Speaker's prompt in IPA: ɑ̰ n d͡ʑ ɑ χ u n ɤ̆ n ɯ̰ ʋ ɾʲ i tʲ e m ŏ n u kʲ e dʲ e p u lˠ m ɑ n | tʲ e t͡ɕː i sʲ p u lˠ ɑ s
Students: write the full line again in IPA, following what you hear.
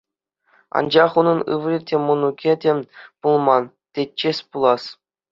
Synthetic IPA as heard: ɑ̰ n d͡ʑ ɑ χ u n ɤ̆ n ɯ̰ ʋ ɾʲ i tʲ e m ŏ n u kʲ e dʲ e p u lˠ m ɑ n | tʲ e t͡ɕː e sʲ p u lˠ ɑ s